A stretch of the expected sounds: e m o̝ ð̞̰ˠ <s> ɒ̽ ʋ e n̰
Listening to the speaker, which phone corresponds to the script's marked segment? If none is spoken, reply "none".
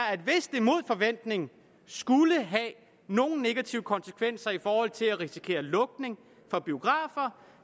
f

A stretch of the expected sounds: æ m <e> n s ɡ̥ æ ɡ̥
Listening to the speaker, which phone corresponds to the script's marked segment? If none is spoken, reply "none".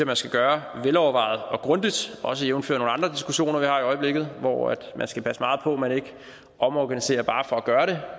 æ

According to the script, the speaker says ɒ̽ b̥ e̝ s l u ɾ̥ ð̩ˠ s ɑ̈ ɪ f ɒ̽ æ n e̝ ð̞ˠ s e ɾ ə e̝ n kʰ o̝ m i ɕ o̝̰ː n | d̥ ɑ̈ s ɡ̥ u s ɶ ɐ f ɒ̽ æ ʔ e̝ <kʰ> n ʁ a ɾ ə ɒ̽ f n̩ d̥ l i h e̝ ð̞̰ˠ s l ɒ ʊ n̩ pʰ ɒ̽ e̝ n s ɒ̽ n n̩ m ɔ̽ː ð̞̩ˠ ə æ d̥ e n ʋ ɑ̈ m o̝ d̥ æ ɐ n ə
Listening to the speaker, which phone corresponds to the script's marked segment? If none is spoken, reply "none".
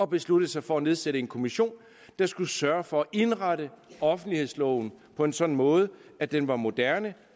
none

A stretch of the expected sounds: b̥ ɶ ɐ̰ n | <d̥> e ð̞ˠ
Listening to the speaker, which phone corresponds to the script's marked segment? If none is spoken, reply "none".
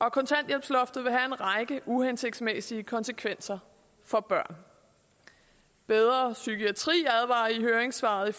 b̥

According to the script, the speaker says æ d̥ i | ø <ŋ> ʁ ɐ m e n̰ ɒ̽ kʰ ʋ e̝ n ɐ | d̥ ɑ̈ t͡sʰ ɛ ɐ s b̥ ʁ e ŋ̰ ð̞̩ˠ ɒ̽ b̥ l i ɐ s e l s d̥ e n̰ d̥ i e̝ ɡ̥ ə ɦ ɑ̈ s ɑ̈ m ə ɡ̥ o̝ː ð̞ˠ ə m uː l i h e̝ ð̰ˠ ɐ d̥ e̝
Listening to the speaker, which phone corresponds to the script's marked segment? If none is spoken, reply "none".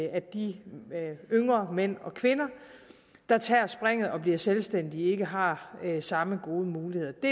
ŋ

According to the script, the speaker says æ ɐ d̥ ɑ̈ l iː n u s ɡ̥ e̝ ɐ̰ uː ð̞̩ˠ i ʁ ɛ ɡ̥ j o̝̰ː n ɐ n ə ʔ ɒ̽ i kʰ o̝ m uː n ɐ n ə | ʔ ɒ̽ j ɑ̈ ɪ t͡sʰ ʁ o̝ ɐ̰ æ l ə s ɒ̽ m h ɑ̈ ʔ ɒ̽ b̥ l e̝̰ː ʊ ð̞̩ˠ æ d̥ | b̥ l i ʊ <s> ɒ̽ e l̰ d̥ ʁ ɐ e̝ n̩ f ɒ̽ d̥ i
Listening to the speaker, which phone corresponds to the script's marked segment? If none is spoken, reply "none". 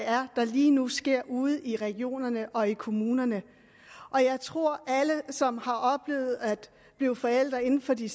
f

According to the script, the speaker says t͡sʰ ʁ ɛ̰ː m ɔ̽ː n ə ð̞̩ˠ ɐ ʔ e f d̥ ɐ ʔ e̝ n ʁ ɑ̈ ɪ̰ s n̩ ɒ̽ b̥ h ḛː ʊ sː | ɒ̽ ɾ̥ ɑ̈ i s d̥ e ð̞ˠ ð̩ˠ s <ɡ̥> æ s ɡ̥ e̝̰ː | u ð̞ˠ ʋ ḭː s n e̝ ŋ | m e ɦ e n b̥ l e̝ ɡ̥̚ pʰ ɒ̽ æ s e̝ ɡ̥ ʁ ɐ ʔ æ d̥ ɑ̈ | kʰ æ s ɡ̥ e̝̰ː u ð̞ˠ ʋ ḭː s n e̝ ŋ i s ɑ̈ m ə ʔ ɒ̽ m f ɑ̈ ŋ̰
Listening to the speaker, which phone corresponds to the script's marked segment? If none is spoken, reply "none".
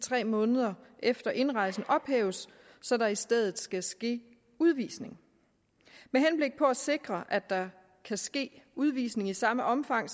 ɡ̥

